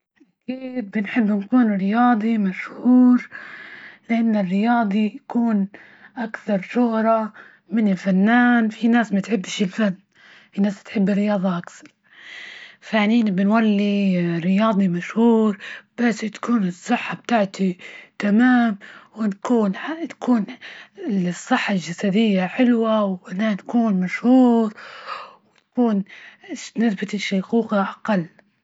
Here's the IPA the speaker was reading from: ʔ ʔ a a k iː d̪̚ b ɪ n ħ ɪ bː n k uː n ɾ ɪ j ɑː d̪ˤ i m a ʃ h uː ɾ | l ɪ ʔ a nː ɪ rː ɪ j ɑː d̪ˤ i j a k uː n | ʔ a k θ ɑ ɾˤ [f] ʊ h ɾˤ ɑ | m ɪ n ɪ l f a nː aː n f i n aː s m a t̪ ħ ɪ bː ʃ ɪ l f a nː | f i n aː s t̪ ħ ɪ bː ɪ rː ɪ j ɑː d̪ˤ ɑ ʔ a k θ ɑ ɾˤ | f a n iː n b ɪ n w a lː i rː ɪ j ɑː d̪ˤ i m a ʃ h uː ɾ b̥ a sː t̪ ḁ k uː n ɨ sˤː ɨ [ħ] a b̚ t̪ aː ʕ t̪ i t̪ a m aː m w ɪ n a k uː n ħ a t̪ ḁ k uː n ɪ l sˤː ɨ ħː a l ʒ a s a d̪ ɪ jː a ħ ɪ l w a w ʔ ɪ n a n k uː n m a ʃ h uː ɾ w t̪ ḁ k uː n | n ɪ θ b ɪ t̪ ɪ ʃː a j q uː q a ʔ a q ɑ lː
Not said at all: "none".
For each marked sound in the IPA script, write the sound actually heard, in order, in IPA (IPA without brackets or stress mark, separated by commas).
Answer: ʃ, ħː